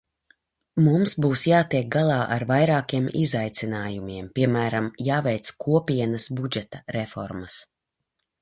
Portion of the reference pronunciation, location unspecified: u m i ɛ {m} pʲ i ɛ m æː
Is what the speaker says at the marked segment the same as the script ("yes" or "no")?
yes